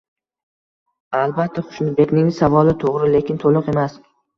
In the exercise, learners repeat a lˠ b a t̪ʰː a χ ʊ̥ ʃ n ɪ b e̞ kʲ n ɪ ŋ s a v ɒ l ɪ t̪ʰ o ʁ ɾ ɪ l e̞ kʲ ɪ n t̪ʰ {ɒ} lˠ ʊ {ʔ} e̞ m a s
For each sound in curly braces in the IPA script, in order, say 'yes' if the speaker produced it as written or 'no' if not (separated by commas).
no, no